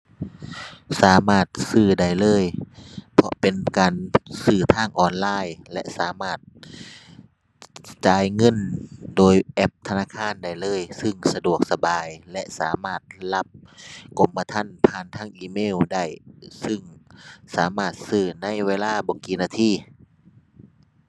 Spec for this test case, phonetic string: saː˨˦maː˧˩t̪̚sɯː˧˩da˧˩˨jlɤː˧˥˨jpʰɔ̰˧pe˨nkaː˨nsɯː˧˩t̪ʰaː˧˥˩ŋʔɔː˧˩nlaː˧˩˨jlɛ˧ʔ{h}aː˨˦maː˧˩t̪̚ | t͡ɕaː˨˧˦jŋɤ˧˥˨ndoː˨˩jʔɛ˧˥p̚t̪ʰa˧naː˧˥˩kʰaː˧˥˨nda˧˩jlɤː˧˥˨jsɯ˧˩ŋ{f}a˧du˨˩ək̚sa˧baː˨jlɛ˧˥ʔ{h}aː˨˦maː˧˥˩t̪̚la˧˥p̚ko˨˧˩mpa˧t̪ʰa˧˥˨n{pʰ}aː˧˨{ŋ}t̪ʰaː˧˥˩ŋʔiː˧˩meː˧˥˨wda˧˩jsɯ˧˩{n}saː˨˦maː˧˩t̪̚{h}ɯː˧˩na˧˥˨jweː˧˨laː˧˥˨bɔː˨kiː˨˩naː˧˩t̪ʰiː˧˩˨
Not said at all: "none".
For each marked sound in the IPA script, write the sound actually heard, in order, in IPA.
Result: s, s, s, pʰ, n, ŋ, s

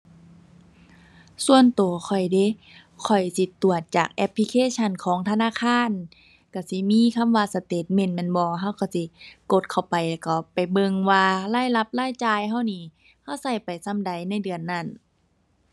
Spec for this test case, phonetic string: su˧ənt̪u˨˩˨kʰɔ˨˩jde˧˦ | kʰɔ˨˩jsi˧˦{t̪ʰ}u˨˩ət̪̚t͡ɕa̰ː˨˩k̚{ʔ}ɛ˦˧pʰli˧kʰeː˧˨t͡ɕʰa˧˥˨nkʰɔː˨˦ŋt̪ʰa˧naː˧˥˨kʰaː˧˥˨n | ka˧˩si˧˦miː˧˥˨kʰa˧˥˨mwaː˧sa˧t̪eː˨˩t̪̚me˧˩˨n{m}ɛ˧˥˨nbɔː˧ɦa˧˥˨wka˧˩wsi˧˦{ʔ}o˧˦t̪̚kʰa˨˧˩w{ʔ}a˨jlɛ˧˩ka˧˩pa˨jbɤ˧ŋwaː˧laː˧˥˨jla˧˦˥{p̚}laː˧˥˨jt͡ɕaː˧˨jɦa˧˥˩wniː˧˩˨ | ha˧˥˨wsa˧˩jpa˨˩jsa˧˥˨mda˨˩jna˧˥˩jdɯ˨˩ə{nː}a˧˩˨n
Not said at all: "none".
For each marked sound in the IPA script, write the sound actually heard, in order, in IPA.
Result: t̪, ʔ, m, k, p, p̚, nː

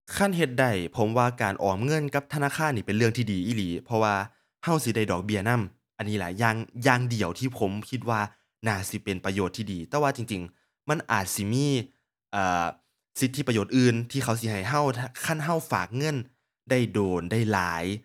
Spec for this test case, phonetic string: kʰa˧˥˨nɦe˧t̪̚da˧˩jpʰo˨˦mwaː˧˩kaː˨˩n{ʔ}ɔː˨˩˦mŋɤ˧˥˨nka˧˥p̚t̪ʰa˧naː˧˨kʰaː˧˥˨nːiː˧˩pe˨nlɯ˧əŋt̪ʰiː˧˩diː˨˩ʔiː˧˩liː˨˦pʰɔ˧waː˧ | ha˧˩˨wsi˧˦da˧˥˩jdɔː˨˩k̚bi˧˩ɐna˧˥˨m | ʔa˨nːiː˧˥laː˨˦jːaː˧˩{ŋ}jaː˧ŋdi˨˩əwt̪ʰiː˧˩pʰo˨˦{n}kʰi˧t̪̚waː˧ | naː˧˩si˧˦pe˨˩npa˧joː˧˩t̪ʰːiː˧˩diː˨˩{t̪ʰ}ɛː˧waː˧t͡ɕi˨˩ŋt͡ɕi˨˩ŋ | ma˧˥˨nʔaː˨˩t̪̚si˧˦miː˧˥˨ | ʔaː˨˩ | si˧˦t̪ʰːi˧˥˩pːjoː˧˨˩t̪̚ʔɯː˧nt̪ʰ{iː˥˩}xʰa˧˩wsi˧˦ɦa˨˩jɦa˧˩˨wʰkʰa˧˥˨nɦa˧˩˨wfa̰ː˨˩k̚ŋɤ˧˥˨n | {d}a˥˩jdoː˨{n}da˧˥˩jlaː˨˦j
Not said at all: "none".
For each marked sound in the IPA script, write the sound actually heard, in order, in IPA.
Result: ʔ, ŋ, m, t̪, iː˧, d, n

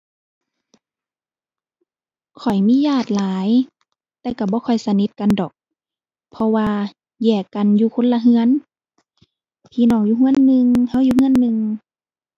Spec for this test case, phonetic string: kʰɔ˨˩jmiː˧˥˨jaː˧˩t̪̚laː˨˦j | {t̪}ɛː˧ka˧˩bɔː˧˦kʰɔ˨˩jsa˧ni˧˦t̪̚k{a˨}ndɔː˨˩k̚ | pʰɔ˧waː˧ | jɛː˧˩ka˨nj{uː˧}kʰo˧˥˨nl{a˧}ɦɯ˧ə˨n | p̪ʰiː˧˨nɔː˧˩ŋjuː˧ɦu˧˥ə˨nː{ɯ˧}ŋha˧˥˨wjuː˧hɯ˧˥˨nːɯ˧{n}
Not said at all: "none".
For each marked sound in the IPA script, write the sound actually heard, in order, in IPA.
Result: t̪, a˨, uː˧, a˧, ɯ˧, ŋ

